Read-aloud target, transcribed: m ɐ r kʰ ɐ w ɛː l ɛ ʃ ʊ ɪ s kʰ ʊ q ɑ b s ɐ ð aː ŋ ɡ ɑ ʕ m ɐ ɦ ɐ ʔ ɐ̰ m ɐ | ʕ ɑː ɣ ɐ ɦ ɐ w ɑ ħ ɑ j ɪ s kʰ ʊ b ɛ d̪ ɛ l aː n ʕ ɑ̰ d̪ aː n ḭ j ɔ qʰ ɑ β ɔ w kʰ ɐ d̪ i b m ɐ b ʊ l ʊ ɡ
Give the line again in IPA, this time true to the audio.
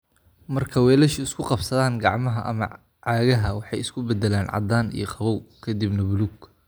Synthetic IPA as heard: m ɐ r kʰ ɐ w ɛː l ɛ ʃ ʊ ɪ s kʰ ʊ q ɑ b s ɐ ð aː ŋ ɡ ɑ ʕ m ɐ ɦ ɐ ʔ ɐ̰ m ɐ | ʕ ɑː ɣ ɐ ɦ ɐ w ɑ ħ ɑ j ɪ s kʰ ʊ b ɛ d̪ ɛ l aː n ʕ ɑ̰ d̪ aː n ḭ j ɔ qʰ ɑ β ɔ w kʰ ɐ d̪ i b n ɐ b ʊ l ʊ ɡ

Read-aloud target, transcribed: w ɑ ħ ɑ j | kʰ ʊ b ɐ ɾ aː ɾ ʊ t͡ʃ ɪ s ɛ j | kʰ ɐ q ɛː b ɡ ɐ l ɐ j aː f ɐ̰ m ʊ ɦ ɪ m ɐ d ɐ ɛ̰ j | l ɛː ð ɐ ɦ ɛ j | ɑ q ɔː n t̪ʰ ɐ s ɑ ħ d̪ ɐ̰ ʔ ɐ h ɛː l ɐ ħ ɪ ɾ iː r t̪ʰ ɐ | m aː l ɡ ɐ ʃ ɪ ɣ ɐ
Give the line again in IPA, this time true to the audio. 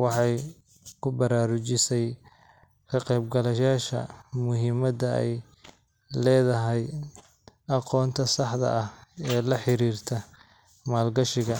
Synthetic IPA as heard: w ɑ ħ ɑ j | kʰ ʊ b ɐ ɾ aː ɾ ʊ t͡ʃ ɪ s ɛ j | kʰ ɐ q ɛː b ɡ ɐ l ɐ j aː ʃ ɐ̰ m ʊ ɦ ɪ m ɐ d ɐ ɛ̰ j | l ɛː ð ɐ ɦ ɛ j | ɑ q ɔː n t̪ʰ ɐ s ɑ ħ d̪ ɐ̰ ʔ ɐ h ɛː l ɐ ħ ɪ ɾ iː r t̪ʰ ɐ | m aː l ɡ ɐ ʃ ɪ ɣ ɐ

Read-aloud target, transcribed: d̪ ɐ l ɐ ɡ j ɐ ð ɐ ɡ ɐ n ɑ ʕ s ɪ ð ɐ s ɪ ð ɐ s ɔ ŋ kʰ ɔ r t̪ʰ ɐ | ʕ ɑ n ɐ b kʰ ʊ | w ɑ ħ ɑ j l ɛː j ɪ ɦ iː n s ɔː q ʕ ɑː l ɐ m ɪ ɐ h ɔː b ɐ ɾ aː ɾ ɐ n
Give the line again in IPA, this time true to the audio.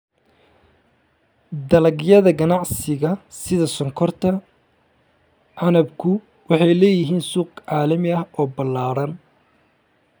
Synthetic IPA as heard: d̪ ɐ l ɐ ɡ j ɐ ð ɐ ɡ ɐ n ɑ ʕ s ɪ ɣ ɐ s ɪ ð ɐ s ɔ ŋ kʰ ɔ r t̪ʰ ɐ | ʕ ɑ n ɐ b kʰ ʊ | w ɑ ħ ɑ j l ɛː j ɪ ɦ iː n s uː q ʕ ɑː l ɐ m ɪ ɐ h ɔː b ɐ l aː ɾ ɐ n

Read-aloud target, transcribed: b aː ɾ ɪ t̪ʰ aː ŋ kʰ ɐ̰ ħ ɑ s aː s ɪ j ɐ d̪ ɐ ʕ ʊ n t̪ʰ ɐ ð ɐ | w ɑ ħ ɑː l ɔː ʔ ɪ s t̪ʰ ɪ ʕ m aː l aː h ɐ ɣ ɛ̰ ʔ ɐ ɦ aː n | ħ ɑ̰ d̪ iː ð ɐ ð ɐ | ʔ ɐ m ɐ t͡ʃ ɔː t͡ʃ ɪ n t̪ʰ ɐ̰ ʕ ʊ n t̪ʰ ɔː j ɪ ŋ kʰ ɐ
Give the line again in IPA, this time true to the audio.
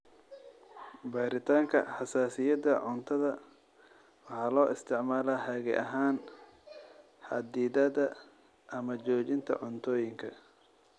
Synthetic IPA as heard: b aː ɾ ɪ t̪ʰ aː ŋ kʰ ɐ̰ ħ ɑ s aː s ɪ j ɐ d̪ ɐ ʕ ʊ n t̪ʰ ɐ ð ɐ | w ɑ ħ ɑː l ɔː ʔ ɪ s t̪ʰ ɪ ʕ m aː l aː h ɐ ɣ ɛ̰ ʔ ɐ ɦ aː n | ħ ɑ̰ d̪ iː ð ɐ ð ɐ | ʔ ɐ m ɐ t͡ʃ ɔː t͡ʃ ɪ n t̪ʰ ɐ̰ ʕ ʊ n t̪ʰ ɔː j ɪ ŋ kʰ ɐ

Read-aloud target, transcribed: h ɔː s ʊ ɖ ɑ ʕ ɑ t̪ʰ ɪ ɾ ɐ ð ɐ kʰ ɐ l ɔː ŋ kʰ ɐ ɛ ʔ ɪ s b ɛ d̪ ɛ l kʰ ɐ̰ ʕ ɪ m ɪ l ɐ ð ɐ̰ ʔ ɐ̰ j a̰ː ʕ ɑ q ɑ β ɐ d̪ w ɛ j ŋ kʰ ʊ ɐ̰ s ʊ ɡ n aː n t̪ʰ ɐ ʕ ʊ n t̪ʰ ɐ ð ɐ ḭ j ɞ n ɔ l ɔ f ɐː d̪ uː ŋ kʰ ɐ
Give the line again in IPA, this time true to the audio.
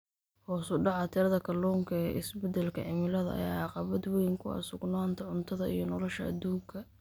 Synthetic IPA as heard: h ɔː s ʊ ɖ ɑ ʕ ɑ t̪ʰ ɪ ɾ ɐ ð ɐ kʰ ɐ l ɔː ŋ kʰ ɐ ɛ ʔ ɪ s b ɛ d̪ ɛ l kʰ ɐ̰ ʕ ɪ m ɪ l ɐ ð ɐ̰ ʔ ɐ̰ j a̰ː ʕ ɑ q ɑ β ɐ d̪ w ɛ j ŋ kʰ ʊ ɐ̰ s ʊ ɡ n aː n t̪ʰ ɐ ʕ ʊ n t̪ʰ ɐ ð ɐ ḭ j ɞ n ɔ l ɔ ʃ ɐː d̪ uː ŋ kʰ ɐ

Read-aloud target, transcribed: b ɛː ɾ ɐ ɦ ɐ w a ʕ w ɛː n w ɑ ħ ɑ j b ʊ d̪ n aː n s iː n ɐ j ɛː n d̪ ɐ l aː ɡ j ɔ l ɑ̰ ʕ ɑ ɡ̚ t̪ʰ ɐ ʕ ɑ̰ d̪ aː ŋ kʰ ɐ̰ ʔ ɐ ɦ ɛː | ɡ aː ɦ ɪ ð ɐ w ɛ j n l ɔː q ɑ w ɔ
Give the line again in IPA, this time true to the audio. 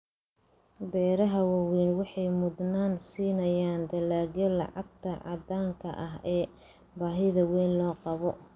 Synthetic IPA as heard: b ɛː ɾ ɐ ɦ ɐ w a w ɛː n w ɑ ħ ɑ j m ʊ d̪ n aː n s iː n ɐ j aː n d̪ ɐ l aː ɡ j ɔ l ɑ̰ ʕ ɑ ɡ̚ t̪ʰ ɐ ʕ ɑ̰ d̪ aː ŋ kʰ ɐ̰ ʔ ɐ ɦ ɛː | b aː ɦ ɪ ð ɐ w ɛ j n l ɔː q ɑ β ɔ

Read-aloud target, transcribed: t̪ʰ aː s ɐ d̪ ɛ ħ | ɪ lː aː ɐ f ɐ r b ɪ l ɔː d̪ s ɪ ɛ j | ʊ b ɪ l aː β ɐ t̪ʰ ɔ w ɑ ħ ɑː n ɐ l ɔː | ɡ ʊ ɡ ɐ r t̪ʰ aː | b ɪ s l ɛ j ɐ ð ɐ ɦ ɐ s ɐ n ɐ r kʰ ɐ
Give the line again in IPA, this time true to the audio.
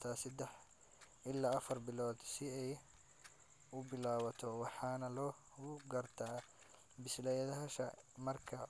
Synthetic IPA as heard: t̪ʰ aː s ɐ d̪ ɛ ħ | ɪ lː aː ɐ f ɐ r b ɪ l ɔː d̪ s ɪ ɛ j | ʊ b ɪ l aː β ɐ t̪ʰ ɔ w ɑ ħ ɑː n ɐ l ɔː | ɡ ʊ ɡ ɐ r t̪ʰ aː | b ɪ s l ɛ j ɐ ð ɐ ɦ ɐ ʃ ɐ m ɐ r kʰ ɐ

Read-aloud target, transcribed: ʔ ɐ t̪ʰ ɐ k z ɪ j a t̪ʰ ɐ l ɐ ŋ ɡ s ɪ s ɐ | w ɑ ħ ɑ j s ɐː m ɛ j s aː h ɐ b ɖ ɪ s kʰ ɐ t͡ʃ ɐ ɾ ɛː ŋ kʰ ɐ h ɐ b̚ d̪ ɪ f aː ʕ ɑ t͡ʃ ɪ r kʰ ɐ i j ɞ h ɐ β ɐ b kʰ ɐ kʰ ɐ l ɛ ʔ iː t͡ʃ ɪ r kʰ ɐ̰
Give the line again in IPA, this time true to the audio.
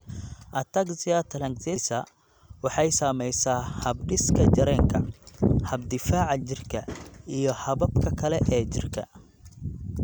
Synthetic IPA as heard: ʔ ɐ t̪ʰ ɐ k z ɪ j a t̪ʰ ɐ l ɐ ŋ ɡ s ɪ s ɐ | w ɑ ħ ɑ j s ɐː m ɛ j s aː h ɐ b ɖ ɪ s kʰ ɐ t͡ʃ ɐ ɾ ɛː ŋ kʰ ɐ h ɐ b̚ d̪ ɪ f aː ʕ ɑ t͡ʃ ɪ r kʰ ɐ i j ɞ h ɐ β ɐ b kʰ ɐ kʰ ɐ l ɛ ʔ ɛː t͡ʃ ɪ r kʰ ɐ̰

